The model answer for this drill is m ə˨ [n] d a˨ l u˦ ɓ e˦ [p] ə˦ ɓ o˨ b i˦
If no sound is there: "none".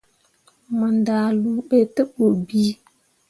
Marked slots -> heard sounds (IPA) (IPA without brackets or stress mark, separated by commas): n, t